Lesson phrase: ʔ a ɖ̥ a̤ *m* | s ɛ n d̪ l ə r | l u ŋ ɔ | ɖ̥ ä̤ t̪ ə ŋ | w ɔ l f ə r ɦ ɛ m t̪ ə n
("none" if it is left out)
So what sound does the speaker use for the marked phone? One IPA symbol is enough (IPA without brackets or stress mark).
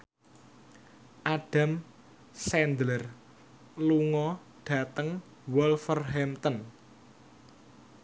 m